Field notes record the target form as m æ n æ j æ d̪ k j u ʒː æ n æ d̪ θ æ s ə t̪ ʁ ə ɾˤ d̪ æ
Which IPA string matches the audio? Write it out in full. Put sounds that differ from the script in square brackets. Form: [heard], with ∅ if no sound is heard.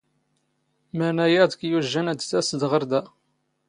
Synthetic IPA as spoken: m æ n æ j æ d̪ k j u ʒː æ n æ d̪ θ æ s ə [d̪] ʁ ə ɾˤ d̪ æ